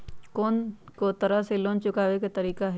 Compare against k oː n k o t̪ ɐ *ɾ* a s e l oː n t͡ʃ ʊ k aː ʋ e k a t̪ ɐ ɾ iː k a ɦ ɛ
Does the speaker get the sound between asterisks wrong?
no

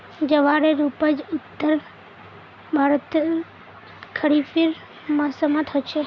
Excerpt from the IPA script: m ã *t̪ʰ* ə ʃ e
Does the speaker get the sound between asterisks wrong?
no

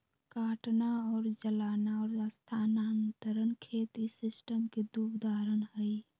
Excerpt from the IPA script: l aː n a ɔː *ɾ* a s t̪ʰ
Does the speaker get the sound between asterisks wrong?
no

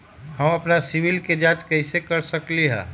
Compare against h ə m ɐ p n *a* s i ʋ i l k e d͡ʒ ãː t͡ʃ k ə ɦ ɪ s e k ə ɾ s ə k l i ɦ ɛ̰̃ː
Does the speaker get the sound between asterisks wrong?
no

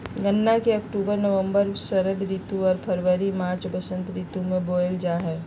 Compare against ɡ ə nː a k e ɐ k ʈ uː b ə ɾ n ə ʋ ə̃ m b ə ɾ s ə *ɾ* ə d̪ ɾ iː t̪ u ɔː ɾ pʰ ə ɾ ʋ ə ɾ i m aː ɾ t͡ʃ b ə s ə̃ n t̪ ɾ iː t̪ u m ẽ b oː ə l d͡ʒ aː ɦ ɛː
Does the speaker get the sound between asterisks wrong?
no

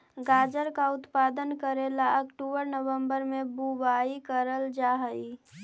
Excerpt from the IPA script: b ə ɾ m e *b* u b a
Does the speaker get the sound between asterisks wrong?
no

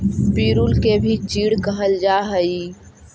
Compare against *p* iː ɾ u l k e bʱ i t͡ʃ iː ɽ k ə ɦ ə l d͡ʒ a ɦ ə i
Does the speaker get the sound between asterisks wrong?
no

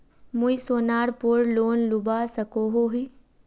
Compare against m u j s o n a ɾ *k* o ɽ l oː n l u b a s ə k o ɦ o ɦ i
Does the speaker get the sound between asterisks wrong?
yes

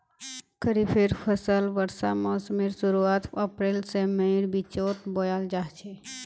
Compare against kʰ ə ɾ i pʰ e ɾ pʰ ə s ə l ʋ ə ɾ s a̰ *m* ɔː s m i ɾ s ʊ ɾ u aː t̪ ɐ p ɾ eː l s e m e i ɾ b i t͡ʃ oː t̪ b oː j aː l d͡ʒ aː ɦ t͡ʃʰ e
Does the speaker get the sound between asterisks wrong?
no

